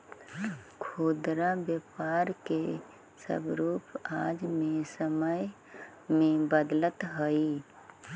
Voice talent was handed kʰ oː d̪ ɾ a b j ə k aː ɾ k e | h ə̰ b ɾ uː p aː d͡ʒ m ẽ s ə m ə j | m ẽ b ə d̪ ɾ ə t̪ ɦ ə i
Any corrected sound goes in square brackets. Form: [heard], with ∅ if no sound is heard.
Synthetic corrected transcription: kʰ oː d̪ ɾ a b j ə [p] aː ɾ k e | [s] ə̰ b ɾ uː p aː d͡ʒ m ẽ s ə m ə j | m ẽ b ə d̪ [l] ə t̪ ɦ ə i